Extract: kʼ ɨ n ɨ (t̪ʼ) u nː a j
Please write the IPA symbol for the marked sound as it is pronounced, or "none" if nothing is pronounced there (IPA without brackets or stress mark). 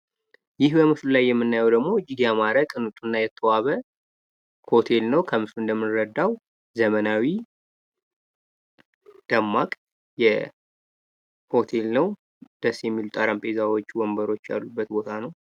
t̪ʼ